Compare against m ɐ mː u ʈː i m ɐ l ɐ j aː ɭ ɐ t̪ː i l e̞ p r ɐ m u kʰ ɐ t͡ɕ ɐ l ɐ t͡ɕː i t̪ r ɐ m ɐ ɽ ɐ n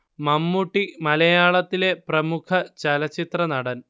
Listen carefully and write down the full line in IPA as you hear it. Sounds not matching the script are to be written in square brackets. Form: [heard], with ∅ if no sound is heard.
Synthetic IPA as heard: m ɐ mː u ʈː i m ɐ l ɐ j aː ɭ ɐ t̪ː i l e̞ p r ɐ m u kʰ ɐ t͡ɕ ɐ l ɐ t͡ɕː i t̪ r ɐ [n] ɐ ɽ ɐ n